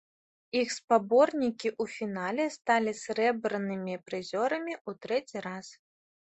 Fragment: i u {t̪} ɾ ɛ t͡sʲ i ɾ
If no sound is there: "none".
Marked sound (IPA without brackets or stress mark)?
t̪